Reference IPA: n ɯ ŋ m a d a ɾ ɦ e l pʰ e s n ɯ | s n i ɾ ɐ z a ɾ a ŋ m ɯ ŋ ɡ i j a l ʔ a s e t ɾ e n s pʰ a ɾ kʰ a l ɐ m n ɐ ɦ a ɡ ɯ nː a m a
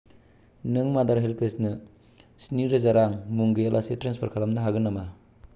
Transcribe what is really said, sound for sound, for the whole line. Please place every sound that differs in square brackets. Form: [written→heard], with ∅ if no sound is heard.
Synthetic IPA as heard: n ɯ ŋ m a d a ɾ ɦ e l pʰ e s n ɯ | s n i ɾ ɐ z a ɾ a ŋ m [ɯ→u] ŋ ɡ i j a l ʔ a s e t ɾ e n s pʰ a ɾ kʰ a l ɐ m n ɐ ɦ a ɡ ɯ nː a m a